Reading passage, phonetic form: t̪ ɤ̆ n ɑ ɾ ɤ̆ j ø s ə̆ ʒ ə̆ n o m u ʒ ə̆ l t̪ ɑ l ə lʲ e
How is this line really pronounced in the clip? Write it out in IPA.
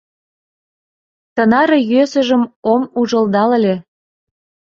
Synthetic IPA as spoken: t̪ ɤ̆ n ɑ ɾ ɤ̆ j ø s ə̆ ʒ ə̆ m o m u ʒ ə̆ l d̪ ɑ l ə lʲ e